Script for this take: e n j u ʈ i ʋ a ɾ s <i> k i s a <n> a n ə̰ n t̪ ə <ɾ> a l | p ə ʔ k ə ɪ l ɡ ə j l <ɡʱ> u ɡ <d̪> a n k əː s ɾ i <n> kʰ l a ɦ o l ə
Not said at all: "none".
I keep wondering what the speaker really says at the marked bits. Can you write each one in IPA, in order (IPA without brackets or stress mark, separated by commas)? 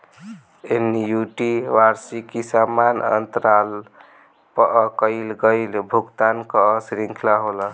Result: i, m, ɾ, bʱ, t̪, ŋ